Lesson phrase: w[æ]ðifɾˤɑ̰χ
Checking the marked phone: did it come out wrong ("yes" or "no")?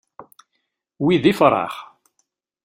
yes